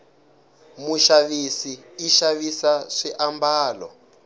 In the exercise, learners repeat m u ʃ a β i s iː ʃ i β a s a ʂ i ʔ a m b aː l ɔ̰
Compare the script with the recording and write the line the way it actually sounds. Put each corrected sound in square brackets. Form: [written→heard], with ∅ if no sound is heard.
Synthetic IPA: m u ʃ a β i s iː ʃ [i→a] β [a→i] s a ʂ i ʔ a m b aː l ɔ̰

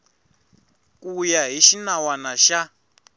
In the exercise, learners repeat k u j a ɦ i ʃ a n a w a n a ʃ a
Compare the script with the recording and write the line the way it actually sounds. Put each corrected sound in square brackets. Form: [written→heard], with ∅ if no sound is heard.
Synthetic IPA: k u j a ɦ i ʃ [a→i] n a w a n a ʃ a

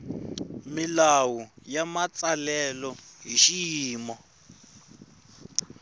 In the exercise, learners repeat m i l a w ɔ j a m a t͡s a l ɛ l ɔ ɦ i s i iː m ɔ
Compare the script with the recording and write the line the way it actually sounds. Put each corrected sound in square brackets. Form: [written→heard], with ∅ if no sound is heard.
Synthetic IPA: m i l a w [ɔ→u] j a m a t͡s a l ɛ l ɔ ɦ i [s→ʃ] i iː m ɔ

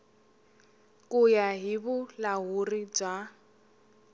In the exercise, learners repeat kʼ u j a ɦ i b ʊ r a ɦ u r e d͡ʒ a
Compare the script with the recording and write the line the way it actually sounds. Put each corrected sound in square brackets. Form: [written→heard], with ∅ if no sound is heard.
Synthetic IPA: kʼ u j a ɦ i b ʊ [r→l] a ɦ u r [e→i] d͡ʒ a

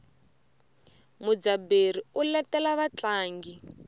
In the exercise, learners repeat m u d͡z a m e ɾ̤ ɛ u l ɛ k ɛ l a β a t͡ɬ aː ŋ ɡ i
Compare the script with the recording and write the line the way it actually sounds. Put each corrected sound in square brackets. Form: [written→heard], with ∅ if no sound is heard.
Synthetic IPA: m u d͡z a [m→b] e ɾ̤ [ɛ→i] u l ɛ [k→t] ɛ l a β a t͡ɬ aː ŋ ɡ i

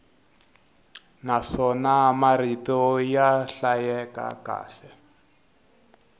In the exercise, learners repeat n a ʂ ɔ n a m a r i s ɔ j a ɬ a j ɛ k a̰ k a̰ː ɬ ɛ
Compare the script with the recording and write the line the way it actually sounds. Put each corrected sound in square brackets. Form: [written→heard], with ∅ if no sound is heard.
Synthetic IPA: n a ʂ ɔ n a m a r i [s→t] ɔ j a ɬ a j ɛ k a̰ k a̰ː ɬ ɛ

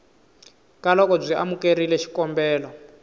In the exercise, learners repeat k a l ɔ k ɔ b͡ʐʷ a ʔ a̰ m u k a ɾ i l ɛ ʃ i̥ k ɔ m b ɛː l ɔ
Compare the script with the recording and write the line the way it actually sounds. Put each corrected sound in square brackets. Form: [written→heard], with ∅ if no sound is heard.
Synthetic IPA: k a l ɔ k ɔ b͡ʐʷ [a→i] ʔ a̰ m u k [a→e] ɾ i l ɛ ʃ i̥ k ɔ m b ɛː l ɔ

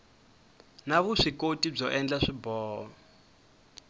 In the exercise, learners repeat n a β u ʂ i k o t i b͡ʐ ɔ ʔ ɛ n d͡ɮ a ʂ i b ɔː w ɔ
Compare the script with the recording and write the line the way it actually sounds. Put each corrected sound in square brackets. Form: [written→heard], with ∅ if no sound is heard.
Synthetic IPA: n a β u ʂ i k o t i b͡ʐ ɔ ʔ ɛ n d͡ɮ a ʂ i b ɔː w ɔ

